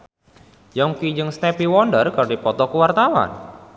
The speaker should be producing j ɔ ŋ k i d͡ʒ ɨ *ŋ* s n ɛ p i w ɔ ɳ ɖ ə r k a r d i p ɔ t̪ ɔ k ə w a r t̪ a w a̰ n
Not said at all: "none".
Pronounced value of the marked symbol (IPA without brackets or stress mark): ŋ